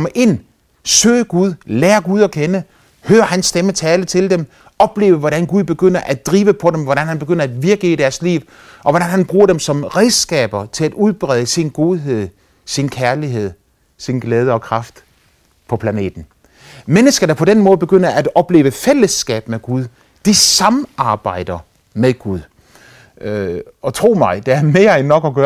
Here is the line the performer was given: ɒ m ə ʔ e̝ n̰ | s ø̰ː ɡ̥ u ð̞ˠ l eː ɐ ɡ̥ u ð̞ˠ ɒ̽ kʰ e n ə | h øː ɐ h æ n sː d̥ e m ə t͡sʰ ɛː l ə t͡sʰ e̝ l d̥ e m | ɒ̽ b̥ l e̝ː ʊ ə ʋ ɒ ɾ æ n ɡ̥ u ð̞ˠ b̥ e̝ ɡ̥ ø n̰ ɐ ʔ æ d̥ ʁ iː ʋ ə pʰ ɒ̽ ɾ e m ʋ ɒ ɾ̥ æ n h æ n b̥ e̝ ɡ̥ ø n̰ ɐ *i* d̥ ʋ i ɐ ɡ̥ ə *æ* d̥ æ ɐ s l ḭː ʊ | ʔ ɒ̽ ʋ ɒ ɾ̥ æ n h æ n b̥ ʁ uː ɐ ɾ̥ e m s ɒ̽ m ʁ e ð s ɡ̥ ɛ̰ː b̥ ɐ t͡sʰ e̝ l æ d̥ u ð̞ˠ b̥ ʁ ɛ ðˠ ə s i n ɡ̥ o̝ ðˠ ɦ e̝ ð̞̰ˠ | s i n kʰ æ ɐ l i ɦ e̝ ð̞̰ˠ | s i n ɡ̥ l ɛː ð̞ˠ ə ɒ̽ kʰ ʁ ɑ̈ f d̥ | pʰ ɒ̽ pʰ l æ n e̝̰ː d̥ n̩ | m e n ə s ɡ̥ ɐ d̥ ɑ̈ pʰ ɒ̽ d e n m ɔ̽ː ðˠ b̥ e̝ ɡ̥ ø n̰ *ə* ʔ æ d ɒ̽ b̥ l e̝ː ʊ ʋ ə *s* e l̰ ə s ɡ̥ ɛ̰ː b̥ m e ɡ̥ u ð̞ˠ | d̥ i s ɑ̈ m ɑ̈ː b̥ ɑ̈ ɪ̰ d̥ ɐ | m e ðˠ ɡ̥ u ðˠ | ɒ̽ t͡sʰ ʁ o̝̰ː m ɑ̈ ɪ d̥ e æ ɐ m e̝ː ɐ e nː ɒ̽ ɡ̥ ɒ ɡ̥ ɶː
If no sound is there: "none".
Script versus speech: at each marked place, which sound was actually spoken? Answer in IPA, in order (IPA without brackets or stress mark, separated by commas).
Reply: æ, i, ɐ, f